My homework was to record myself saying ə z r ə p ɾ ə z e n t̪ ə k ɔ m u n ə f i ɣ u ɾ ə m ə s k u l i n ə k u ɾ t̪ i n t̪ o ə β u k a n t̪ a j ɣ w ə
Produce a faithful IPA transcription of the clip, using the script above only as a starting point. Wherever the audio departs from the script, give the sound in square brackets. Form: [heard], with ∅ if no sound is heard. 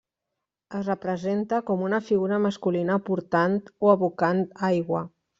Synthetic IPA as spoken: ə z r ə p ɾ ə z e n t̪ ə k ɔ m u n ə f i ɣ u ɾ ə m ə s k u l i n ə [p] u ɾ t̪ [a] n t̪ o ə β u k a n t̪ a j ɣ w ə